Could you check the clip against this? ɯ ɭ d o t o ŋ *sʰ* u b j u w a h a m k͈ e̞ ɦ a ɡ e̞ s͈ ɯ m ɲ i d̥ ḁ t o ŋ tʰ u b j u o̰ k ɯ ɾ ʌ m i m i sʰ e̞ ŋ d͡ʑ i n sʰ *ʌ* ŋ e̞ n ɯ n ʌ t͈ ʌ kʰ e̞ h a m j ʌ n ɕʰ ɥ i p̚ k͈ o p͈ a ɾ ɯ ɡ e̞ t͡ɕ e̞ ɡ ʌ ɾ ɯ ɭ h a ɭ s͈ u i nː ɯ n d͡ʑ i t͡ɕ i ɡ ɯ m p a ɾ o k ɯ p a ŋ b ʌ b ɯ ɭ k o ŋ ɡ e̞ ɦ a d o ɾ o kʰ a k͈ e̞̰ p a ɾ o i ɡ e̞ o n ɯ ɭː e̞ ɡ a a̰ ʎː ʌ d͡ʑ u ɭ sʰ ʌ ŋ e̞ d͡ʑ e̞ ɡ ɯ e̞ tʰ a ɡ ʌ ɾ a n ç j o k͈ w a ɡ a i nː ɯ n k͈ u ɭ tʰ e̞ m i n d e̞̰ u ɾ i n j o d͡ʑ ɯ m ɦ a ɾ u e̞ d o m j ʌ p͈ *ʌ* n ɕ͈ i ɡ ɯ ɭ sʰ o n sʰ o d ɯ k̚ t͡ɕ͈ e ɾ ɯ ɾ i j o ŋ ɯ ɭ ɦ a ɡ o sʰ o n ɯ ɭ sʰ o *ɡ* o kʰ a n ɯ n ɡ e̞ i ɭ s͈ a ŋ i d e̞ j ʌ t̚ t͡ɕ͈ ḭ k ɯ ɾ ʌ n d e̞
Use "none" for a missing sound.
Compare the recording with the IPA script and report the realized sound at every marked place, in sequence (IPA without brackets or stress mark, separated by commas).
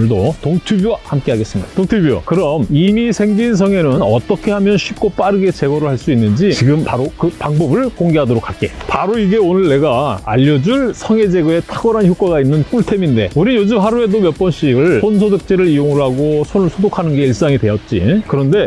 tʰ, ʌ, ʌ, d